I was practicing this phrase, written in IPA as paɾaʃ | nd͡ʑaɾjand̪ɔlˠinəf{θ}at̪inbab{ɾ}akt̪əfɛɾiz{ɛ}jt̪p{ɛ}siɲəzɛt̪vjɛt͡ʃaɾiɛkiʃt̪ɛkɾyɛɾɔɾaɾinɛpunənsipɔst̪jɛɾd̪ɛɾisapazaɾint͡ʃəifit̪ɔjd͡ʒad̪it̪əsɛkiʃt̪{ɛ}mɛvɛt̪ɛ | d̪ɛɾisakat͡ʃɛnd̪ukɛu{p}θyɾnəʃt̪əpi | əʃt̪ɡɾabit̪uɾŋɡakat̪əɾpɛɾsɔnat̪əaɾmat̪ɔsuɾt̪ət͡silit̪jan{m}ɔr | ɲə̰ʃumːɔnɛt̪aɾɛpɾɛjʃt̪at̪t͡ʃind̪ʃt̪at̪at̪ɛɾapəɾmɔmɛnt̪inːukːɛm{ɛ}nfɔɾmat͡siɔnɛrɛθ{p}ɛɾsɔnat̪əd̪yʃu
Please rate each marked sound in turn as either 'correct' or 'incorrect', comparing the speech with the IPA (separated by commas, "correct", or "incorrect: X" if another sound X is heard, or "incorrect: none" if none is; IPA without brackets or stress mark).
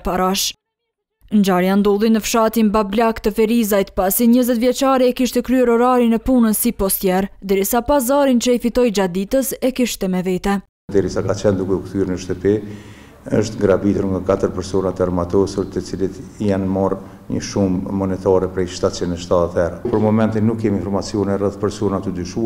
incorrect: ʃ, incorrect: l, incorrect: a, incorrect: a, correct, incorrect: k, correct, incorrect: i, correct